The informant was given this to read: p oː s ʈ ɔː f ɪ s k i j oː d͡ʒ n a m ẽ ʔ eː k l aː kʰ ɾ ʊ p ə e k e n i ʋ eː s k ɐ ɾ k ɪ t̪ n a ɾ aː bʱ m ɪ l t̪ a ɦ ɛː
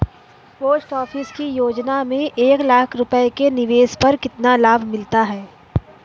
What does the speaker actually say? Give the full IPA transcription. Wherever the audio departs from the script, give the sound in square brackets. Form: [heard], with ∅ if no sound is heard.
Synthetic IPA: p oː s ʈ ɔː f ɪ s k i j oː d͡ʒ n a m ẽ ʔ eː k l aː kʰ ɾ ʊ p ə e k e n [ɪ] ʋ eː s [p] ɐ ɾ k ɪ t̪ n a [l] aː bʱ m ɪ l t̪ a ɦ ɛː

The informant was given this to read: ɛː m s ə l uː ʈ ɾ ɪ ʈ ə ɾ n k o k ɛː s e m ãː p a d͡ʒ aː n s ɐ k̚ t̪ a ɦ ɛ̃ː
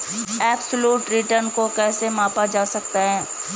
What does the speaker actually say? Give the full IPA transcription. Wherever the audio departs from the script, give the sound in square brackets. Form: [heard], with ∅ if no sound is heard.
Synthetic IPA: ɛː [b] s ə l uː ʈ ɾ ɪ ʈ ə ɾ n k o k ɛː s e m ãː p a d͡ʒ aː [∅] s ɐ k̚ t̪ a ɦ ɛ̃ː

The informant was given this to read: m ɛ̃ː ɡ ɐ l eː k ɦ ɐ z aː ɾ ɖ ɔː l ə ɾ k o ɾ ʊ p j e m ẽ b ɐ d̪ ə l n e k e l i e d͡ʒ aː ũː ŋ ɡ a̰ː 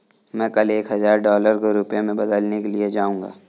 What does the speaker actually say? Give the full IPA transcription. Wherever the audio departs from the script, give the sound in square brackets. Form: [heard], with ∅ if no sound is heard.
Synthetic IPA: m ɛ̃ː [k] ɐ l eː k ɦ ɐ z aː ɾ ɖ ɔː l ə ɾ k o ɾ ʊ p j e m ẽ b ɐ d̪ ə l n e k e l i e d͡ʒ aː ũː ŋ ɡ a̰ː

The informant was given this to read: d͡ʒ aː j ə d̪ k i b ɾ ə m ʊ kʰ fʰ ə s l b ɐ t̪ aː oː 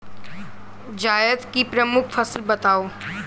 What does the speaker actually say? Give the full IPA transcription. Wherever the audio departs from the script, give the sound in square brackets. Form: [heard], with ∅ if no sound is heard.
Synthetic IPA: d͡ʒ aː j ə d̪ k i [p] ɾ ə m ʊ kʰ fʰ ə s l b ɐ t̪ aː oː

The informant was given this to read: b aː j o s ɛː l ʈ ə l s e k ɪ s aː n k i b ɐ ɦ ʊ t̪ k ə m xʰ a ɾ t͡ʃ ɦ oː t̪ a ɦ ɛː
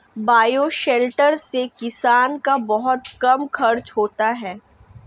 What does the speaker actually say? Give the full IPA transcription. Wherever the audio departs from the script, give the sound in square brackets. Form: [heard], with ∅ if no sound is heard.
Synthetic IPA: b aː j o [ʃ] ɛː l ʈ ə [ɾ] s e k ɪ s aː n k [a] b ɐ ɦ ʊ t̪ k [ɐ] m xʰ [ɐ] ɾ t͡ʃ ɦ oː t̪ a ɦ ɛː

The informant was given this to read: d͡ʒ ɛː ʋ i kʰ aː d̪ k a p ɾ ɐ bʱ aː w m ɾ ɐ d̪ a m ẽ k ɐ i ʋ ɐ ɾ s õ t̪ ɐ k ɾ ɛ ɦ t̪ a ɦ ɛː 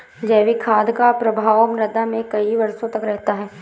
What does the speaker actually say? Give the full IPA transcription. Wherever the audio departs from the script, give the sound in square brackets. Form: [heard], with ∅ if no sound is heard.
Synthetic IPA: d͡ʒ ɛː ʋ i kʰ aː d̪ k a p ɾ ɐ bʱ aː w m ɾ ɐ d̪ a m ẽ k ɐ i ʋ ɐ ɾ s õ t̪ ɐ k ɾ ɛ ɦ t̪ a ɦ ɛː

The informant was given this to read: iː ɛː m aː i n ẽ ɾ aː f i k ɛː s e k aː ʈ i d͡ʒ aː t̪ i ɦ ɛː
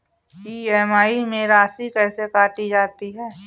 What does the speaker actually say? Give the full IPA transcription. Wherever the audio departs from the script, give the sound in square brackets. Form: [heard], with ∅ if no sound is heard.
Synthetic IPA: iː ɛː m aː i [m] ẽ ɾ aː [s] i k ɛː s e k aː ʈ i d͡ʒ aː t̪ i ɦ ɛː

